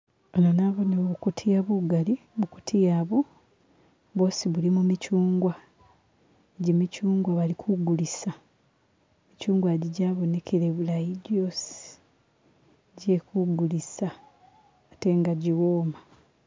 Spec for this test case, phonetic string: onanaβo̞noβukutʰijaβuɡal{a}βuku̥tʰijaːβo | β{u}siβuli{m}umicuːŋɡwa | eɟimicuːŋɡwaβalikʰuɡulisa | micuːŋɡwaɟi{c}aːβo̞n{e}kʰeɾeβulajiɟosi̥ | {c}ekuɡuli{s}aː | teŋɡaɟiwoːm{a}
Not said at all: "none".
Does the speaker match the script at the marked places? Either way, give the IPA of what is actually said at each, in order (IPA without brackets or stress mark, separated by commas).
i, o, m, ɟ, e, ɟ, s, a